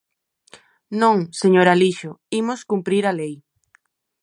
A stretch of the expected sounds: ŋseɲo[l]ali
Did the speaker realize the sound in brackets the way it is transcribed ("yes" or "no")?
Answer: no